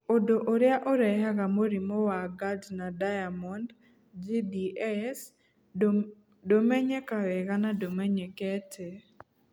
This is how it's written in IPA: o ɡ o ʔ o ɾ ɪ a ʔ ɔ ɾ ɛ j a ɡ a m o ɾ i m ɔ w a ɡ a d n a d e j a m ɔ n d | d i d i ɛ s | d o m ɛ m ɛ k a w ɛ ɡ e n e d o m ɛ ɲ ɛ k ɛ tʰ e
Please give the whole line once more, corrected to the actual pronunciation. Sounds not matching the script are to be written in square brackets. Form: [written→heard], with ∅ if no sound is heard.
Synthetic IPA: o [ɡ→d] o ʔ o ɾ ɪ a ʔ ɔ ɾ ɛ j a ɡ a m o ɾ i m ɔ w a ɡ a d n a d [e→a] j a m ɔ n d | [d→d͡ʒ] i d i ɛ s | d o m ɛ [m→ɲ] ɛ k a w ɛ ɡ [e→a] n [e→a] d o m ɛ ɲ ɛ k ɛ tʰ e

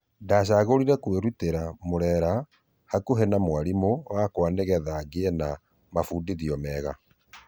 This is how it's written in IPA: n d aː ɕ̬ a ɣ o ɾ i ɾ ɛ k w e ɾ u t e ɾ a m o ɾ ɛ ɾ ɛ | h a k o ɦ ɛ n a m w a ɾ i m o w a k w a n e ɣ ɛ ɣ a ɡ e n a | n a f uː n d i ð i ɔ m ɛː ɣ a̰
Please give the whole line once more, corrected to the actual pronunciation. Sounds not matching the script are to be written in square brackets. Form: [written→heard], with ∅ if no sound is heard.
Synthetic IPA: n d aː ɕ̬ a ɣ o ɾ i ɾ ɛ k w e ɾ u t e ɾ a m o ɾ ɛ ɾ [ɛ→a] | h a k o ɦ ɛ n a m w a ɾ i m o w a k w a n e ɣ ɛ [ɣ→ð] a ɡ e n a | [n→m] a f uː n d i ð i ɔ m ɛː ɣ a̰

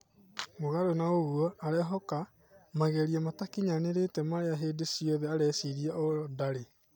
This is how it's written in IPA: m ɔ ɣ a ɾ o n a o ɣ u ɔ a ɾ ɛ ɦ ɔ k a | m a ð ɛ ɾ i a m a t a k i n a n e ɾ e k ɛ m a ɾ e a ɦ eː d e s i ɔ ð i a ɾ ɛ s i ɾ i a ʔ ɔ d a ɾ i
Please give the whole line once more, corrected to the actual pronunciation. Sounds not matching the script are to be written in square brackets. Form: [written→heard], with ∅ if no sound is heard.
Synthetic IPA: m [ɔ→o] ɣ a ɾ o n a o ɣ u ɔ a ɾ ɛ ɦ ɔ k a | m a [ð→ɣ] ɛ ɾ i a m a t a k i [n→ɲ] a n e ɾ e [k→t] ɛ m a ɾ e a ɦ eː d e s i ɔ ð [i→ɛ] a ɾ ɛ s i ɾ i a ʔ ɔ d a ɾ [i→e]

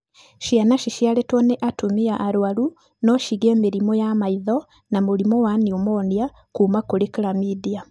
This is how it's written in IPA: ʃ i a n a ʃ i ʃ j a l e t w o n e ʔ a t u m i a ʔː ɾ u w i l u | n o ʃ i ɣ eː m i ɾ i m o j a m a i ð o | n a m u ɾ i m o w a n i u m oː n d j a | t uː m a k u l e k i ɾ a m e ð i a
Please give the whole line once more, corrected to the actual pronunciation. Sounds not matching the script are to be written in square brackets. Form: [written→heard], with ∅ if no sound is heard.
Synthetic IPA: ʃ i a n a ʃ i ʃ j a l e t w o n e ʔ a t u m i a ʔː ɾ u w [i→a] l u | n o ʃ i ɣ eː m i ɾ i m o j a m a i ð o | n a m u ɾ i m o w a n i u m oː n d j a | [t→k] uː m a k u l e k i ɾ a m [e→i] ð i a

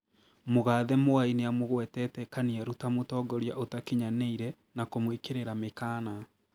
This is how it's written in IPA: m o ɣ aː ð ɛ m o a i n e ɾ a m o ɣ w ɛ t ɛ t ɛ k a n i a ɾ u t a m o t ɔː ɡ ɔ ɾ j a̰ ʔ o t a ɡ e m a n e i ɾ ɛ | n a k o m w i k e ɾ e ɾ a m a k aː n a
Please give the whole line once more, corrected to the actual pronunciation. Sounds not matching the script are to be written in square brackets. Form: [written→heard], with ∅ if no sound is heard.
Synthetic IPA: m o ɣ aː ð ɛ m o a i n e [ɾ→∅] a m o ɣ w ɛ t ɛ t ɛ k a n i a ɾ u t a m o t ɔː ɡ ɔ ɾ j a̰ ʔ o t a [ɡ→k] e [m→ɲ] a n e i ɾ ɛ | n a k o m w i k e ɾ e ɾ a m [a→e] k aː n a

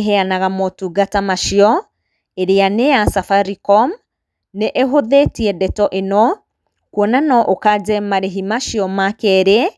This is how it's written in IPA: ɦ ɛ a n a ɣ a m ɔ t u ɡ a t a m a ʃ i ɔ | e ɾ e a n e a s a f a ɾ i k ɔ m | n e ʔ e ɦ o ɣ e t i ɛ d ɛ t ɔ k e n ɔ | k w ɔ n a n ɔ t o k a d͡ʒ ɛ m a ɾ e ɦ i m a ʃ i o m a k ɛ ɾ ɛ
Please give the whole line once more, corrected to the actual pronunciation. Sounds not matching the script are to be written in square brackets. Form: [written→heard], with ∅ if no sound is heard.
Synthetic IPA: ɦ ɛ a n a ɣ a m ɔ t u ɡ a t a m a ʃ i ɔ | e ɾ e a n e a s a f a ɾ i k ɔ m | n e ʔ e ɦ o [ɣ→ð] e t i ɛ d ɛ t ɔ [k→ʔ] e n ɔ | k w ɔ n a n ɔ [t→ʔ] o k a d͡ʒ ɛ m a ɾ e ɦ i m a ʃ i [o→ɔ] m a k ɛ ɾ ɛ

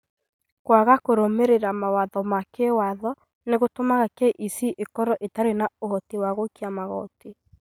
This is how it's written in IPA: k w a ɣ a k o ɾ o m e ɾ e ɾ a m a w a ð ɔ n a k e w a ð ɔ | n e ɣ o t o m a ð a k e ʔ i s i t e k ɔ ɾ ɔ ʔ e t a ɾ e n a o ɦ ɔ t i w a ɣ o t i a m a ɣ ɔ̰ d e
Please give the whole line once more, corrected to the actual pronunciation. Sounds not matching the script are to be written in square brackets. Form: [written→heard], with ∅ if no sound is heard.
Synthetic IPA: k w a ɣ a k o ɾ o m e ɾ e ɾ a m a w a ð ɔ [n→m] a k e w a ð ɔ | n e ɣ o t o m a [ð→ɣ] a k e ʔ i s i [t→ʔ] e k ɔ ɾ ɔ ʔ e t a ɾ e n a o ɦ ɔ t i w a ɣ o [t→k] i a m a ɣ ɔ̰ [d→t] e

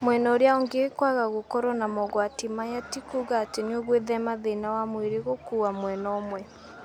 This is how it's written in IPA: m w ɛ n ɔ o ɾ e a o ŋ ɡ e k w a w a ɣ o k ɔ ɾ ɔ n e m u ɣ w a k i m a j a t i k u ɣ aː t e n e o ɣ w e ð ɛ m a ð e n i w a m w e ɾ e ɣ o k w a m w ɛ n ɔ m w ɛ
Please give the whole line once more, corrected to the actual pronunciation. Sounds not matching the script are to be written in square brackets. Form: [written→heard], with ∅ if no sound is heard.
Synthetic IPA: m w ɛ n ɔ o ɾ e a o ŋ ɡ e k w a [w→ɣ] a ɣ o k ɔ ɾ ɔ n [e→a] m [u→ɔ] ɣ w a [k→t] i m a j a t i k u ɣ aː t e n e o ɣ w e ð ɛ m a ð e n [i→a] w a m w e ɾ e ɣ o k [w→u] a m w ɛ n ɔ m w ɛ

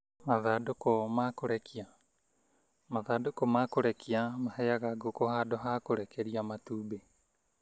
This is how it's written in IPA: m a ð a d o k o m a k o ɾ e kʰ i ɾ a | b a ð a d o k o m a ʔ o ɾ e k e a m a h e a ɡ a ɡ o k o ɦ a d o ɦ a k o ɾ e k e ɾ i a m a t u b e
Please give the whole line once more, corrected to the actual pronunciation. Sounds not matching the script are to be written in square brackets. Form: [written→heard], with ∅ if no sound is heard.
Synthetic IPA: m a ð a d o k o m a k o ɾ e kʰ i [ɾ→∅] a | [b→m] a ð a d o k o m a [ʔ→k] o ɾ e k [e→i] a m a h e a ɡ a ɡ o k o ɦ a d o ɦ a k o ɾ e k e ɾ i a m a t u b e

